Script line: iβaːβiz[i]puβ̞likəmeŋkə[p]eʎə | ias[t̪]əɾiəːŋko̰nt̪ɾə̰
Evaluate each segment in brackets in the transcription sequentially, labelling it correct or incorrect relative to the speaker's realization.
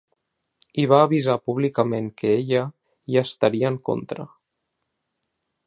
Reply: incorrect: a, incorrect: none, correct

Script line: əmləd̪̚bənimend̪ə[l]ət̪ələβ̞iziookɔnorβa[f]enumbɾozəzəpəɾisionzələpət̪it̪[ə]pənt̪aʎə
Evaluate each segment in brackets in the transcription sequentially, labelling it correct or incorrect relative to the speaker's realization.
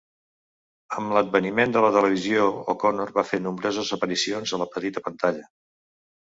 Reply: correct, correct, correct

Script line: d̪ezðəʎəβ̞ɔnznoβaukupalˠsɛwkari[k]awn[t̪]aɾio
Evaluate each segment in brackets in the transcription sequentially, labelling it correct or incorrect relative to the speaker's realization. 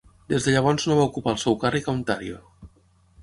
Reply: correct, correct

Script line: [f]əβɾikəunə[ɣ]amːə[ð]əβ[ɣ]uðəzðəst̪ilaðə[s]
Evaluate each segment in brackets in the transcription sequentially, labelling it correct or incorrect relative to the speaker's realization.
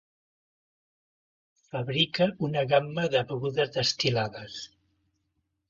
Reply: correct, correct, correct, correct, correct

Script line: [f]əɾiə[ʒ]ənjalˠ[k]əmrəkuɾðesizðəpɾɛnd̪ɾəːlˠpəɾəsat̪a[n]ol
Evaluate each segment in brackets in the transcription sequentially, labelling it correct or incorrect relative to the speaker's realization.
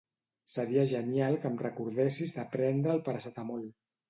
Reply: incorrect: s, correct, correct, incorrect: m

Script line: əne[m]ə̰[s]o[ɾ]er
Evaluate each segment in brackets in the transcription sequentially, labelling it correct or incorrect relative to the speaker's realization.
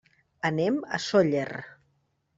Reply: correct, correct, incorrect: ʎ

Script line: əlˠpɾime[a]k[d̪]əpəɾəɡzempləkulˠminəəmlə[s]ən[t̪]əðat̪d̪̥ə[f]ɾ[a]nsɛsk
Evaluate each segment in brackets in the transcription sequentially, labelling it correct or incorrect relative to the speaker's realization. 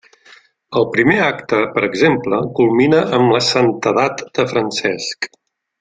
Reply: correct, incorrect: t̪, correct, correct, correct, incorrect: ə

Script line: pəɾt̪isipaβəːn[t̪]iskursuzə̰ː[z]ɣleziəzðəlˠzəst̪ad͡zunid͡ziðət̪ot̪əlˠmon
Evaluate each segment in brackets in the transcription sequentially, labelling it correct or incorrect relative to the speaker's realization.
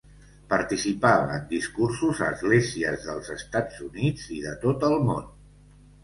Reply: incorrect: d̪, correct

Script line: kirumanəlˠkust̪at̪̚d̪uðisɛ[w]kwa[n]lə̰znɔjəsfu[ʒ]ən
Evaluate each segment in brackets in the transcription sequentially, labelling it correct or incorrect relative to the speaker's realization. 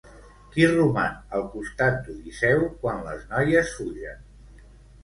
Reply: correct, correct, correct

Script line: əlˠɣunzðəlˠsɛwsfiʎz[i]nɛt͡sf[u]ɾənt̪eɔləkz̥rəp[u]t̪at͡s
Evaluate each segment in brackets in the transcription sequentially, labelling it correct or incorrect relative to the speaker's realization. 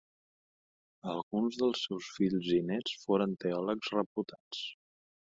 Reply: correct, incorrect: o, correct

